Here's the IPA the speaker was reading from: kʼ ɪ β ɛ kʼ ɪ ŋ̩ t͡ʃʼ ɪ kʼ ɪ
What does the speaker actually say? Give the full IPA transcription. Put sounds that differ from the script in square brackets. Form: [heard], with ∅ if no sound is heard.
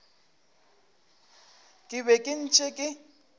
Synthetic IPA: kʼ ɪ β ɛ kʼ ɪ [n̩] t͡ʃʼ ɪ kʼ ɪ